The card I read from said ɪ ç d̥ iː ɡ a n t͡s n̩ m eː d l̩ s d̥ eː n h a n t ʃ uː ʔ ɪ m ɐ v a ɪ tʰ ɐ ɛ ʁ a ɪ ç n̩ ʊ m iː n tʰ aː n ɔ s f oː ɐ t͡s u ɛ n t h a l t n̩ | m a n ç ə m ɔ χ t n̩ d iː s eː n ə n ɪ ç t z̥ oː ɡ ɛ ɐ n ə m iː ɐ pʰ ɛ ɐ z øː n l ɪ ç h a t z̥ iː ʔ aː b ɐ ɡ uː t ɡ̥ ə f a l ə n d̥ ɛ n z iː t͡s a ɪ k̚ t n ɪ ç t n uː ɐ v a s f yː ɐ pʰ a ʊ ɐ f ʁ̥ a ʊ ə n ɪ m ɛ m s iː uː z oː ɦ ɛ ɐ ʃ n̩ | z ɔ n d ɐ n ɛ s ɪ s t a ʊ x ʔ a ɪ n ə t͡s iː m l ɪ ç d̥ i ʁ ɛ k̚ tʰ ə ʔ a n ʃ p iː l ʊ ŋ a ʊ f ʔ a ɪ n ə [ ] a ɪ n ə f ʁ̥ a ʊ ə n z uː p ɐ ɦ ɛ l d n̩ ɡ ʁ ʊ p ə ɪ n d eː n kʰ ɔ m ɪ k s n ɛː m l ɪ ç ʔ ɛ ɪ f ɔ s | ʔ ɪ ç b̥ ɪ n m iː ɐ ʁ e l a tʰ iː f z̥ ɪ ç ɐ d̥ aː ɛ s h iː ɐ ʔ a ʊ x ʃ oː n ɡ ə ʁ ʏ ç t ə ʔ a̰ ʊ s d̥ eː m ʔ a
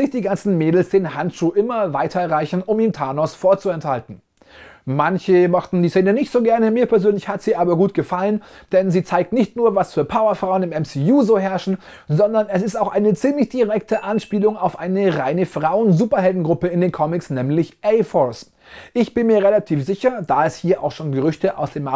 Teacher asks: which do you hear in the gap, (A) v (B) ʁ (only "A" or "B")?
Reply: B